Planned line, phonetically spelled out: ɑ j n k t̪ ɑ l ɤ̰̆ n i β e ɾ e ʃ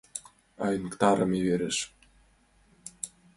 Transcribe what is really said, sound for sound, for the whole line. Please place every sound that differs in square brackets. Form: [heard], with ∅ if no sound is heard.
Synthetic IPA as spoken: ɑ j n k t̪ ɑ [ɾ] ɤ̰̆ [m] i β e ɾ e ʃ